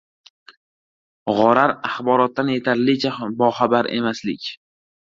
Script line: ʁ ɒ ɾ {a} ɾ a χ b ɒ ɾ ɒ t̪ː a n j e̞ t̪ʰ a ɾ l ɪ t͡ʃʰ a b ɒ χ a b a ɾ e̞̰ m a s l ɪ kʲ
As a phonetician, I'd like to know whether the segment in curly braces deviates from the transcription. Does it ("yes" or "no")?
no